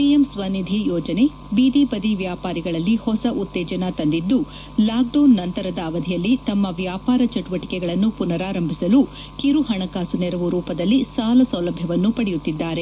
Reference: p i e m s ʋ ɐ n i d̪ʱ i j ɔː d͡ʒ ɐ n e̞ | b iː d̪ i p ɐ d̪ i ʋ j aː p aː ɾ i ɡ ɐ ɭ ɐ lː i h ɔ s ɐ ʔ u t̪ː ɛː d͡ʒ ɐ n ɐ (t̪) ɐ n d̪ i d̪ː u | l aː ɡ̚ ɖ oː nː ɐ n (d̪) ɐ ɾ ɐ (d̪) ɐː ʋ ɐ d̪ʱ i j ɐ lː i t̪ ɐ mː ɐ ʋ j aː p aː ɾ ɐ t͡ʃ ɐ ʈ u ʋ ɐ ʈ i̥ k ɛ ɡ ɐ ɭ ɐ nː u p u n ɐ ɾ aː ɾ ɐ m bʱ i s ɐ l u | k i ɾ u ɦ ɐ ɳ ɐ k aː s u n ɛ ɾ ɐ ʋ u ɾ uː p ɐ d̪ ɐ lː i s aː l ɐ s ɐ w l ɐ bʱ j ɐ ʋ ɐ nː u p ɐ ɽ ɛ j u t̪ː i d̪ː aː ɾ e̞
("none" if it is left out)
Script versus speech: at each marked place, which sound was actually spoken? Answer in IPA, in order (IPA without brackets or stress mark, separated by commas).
t̪, t̪, d̪